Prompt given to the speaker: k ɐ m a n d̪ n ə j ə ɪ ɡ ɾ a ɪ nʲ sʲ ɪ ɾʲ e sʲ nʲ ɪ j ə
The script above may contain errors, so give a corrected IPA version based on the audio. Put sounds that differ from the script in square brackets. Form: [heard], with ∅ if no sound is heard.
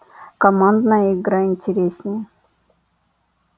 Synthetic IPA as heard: k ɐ m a n d̪ n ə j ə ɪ ɡ ɾ a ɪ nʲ [tʲ] ɪ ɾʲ e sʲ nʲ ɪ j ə

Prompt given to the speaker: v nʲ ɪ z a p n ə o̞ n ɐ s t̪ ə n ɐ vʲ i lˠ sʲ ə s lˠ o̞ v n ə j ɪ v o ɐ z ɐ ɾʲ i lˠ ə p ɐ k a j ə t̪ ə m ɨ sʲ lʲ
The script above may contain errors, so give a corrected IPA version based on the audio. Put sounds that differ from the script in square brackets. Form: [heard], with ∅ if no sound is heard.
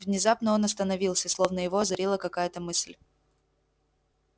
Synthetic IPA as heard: v nʲ ɪ z a p n ə o̞ n ɐ s t̪ ə n ɐ vʲ i lˠ sʲ ə s lˠ o̞ v n ə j ɪ v o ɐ z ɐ ɾʲ i lˠ ə [k] ɐ k a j ə t̪ ə m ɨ sʲ lʲ

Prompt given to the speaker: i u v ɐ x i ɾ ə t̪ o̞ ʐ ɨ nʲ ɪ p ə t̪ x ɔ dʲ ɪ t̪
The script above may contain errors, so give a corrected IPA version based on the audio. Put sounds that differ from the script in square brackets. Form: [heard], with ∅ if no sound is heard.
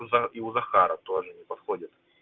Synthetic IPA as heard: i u [z] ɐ x [a] ɾ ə t̪ o̞ ʐ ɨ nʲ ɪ p [ɐ] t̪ x [o] dʲ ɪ t̪

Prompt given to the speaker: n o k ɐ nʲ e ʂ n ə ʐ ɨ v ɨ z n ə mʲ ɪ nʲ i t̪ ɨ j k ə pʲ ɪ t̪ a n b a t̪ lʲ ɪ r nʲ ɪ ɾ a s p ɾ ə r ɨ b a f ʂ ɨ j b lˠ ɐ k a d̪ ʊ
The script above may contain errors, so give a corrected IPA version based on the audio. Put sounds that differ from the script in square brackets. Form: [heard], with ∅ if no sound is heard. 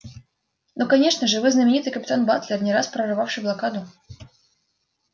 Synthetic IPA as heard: n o k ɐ nʲ e ʂ n ə ʐ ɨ v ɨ z n ə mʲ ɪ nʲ i t̪ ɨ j k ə pʲ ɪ t̪ a n b a t̪ lʲ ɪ r nʲ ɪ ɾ a s p ɾ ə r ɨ [v] a f ʂ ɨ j b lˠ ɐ k a d̪ ʊ

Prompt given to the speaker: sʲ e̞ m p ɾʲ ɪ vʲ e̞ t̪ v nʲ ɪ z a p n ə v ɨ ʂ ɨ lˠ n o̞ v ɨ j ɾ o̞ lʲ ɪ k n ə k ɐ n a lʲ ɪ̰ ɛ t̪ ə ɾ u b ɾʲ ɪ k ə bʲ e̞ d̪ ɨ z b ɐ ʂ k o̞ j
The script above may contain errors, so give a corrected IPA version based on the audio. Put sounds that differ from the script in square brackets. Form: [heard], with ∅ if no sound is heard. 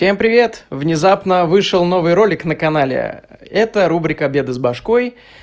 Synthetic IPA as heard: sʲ e̞ m p ɾʲ ɪ vʲ e̞ t̪ v nʲ ɪ z a p n ə v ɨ ʂ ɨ lˠ n o̞ v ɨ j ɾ o̞ lʲ ɪ k n ə k ɐ n a lʲ ɪ̰ ɛ t̪ ə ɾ u b ɾʲ ɪ k ə bʲ e̞ d̪ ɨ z b ɐ ʂ k o̞ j

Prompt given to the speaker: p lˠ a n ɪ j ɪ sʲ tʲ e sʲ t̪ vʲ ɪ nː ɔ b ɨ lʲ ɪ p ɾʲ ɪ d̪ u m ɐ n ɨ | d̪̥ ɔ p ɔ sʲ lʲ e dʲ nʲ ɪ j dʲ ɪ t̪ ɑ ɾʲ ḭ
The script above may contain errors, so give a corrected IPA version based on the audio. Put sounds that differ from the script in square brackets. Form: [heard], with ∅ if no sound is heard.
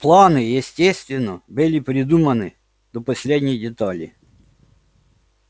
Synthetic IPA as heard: p lˠ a n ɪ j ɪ sʲ tʲ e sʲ t̪ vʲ ɪ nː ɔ b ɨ lʲ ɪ p ɾʲ ɪ d̪ u m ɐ n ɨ | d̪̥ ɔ p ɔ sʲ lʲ e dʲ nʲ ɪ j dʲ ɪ t̪ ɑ [lʲ] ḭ

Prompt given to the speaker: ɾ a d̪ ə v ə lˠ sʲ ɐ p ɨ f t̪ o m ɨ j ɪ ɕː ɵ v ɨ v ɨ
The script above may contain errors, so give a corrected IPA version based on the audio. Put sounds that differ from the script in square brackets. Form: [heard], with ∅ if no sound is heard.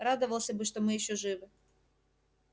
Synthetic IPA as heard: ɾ a d̪ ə v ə lˠ sʲ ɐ [b] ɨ [ʂ] t̪ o m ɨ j ɪ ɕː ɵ [ʐ] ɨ v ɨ

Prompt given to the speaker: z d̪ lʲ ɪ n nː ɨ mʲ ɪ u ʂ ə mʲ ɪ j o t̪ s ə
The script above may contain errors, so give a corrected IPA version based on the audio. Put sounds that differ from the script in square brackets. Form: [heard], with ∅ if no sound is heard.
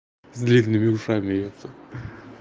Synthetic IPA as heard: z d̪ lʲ [i] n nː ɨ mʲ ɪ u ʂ [a] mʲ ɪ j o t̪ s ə

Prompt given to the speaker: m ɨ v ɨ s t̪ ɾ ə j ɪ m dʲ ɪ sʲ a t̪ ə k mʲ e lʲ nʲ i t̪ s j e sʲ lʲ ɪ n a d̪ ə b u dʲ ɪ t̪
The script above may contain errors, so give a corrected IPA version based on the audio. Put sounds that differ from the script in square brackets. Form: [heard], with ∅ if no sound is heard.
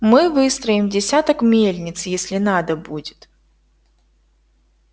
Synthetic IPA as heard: m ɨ v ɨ s t̪ ɾ ə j ɪ m dʲ ɪ sʲ a t̪ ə k mʲ e lʲ nʲ [ɪ] t̪ s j e sʲ lʲ ɪ n a d̪ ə b u dʲ ɪ t̪

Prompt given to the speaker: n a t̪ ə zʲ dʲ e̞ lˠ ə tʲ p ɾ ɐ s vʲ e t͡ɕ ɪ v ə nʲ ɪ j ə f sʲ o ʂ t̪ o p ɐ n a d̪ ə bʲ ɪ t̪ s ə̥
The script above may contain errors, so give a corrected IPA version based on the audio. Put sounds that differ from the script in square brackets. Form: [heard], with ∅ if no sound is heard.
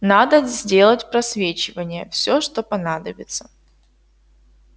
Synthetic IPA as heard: n a [d̪] ə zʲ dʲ e̞ lˠ ə tʲ p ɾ ɐ s vʲ e t͡ɕ ɪ v ə nʲ ɪ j ə f sʲ o ʂ t̪ o p ɐ n a d̪ ə bʲ ɪ t̪ s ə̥

